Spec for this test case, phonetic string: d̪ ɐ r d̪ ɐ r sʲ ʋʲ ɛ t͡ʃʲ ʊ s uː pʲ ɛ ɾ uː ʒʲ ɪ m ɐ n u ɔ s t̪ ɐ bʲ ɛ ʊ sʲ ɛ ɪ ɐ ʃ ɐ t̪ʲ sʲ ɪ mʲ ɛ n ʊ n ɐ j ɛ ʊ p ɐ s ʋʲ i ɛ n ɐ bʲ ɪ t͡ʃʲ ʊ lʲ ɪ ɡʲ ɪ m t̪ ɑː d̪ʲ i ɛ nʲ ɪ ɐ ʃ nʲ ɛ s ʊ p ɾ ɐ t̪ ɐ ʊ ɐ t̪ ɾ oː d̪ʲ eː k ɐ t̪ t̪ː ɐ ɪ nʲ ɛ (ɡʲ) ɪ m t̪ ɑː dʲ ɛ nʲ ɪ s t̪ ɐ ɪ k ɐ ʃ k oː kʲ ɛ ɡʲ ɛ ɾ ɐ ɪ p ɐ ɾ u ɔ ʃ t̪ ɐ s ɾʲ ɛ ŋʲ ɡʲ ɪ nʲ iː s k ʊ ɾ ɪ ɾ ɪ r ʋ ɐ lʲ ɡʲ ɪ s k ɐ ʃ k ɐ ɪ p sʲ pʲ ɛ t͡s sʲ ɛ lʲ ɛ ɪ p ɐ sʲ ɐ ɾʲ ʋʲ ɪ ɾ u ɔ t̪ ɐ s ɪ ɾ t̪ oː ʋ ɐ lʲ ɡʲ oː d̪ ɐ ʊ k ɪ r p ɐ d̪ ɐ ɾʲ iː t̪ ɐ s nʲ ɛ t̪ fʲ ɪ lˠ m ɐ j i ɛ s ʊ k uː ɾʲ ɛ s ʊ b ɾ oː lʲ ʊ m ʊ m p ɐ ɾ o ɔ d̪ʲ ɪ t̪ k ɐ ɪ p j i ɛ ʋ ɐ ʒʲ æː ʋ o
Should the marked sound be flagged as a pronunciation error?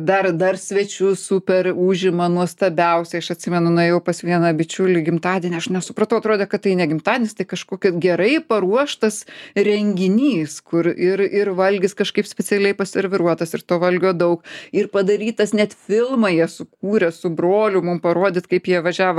no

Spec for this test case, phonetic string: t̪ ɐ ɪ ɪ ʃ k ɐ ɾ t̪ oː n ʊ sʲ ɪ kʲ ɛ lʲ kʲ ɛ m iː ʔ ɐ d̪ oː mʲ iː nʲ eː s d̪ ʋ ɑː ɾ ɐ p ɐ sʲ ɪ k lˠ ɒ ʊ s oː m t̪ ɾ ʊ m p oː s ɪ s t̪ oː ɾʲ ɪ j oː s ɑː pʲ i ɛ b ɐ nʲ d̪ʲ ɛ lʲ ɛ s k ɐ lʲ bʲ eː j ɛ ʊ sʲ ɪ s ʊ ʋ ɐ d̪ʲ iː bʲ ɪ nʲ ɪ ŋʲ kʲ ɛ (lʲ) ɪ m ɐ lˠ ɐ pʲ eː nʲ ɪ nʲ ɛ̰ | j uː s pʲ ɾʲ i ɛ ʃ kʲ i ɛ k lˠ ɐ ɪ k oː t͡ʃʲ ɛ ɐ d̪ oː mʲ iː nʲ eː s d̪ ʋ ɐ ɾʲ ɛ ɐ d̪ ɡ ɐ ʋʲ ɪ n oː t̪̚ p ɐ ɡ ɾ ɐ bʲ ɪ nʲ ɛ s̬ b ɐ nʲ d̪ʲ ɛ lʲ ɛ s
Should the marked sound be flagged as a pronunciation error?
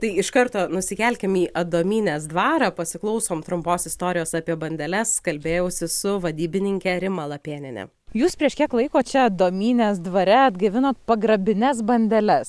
yes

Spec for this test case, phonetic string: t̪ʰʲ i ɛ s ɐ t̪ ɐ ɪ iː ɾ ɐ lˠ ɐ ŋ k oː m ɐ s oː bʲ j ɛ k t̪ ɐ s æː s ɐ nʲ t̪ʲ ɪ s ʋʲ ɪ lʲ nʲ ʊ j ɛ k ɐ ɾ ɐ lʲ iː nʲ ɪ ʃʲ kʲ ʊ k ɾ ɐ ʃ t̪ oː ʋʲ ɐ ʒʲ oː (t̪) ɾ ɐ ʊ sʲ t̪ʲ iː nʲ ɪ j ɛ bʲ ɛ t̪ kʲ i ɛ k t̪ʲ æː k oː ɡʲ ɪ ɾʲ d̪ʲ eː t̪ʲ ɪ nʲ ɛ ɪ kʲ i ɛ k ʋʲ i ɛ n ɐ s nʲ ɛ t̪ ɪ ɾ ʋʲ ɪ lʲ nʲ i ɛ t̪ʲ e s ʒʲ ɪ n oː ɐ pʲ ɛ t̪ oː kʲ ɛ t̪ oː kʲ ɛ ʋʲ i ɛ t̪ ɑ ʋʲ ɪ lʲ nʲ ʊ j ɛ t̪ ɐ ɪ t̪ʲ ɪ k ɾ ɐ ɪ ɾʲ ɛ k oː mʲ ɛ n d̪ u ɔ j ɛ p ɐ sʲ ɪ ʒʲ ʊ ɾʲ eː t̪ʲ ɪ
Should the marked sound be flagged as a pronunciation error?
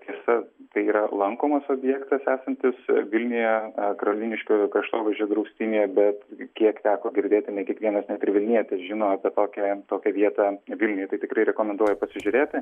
yes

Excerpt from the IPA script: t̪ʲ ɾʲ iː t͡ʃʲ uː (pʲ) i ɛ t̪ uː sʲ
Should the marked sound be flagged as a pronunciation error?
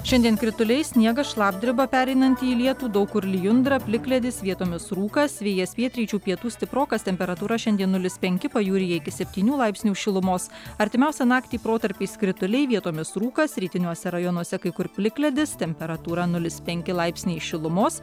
no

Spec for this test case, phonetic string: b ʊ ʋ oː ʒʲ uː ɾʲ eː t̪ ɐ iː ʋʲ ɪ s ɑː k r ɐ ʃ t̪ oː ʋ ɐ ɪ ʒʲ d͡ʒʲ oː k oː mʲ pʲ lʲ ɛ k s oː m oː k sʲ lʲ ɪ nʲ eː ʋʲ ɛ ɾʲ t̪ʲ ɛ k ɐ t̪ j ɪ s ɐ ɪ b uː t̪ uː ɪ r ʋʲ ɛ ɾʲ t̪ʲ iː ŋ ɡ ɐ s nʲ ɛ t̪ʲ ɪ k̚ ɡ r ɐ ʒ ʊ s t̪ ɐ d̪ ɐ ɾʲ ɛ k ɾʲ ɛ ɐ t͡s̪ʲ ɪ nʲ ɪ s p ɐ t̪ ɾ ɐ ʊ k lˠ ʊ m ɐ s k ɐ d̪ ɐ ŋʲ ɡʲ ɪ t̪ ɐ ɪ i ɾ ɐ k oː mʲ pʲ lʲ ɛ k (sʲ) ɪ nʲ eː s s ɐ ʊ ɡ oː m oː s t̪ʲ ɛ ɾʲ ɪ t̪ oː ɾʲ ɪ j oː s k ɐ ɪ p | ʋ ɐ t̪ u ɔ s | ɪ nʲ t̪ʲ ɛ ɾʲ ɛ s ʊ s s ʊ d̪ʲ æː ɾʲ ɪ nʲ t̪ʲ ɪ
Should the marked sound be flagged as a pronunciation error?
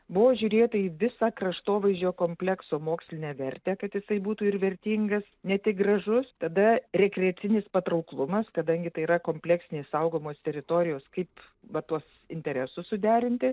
no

